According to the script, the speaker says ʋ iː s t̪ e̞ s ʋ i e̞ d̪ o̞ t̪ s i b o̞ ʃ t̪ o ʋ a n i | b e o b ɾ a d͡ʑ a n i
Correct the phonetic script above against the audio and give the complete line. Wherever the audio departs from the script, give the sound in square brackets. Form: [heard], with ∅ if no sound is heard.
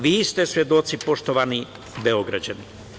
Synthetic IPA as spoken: ʋ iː s t̪ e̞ s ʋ [j] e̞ d̪ o̞ t̪ s i [p] o̞ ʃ t̪ o ʋ a n i | b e o [ɡ] ɾ a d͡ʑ a n i